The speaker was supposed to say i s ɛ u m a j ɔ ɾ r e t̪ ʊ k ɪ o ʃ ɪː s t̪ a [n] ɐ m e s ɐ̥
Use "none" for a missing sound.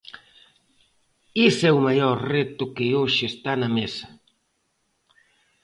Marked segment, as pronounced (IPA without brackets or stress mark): n